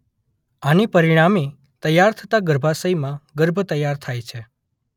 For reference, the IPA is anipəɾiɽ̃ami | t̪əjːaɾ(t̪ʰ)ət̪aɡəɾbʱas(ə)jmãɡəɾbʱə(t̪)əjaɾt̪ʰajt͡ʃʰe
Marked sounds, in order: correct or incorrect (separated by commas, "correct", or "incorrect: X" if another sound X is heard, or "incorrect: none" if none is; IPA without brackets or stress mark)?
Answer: correct, correct, correct